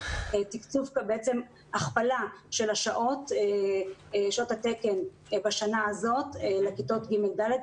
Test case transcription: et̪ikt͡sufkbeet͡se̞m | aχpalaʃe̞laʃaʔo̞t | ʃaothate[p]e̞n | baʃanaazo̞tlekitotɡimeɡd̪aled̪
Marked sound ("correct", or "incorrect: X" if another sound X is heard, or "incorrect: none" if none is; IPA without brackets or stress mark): incorrect: k